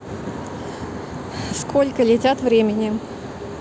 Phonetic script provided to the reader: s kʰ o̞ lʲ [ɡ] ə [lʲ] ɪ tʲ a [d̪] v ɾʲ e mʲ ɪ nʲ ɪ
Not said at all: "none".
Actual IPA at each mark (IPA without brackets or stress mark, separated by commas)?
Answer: k, lʲ, t̪